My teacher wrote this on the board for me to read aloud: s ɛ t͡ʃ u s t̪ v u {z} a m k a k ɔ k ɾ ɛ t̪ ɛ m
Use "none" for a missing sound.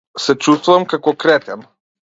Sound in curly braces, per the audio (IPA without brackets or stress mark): v